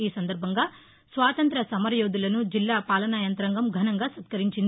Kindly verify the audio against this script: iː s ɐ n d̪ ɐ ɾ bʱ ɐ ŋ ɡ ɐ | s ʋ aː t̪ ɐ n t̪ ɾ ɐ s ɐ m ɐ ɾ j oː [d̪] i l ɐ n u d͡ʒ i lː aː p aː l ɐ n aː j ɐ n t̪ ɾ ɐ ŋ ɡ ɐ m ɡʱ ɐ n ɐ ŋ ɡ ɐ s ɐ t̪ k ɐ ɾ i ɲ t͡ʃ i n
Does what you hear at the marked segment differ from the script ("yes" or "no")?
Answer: no